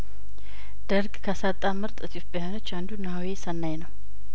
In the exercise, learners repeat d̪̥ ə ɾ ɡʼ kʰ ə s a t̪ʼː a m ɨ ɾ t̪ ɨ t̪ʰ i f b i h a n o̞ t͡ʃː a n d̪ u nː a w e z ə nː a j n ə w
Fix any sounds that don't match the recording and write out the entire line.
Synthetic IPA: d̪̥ ə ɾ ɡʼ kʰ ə s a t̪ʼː a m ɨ ɾ t̪ʼ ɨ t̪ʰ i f b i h a n o̞ t͡ʃː a n d̪ u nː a w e s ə nː a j n ə w